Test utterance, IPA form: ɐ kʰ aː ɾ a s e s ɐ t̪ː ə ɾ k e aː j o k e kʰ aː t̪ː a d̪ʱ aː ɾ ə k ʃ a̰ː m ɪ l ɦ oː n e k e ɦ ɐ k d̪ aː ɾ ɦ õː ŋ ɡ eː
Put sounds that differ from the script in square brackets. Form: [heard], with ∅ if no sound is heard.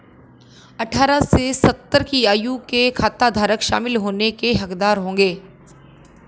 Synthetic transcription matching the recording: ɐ [ʈʰ] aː ɾ a s e s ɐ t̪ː ə ɾ k [i] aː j [u] k e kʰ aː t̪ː a d̪ʱ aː ɾ ə k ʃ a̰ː m ɪ l ɦ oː n e k e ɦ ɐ k d̪ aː ɾ ɦ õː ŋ ɡ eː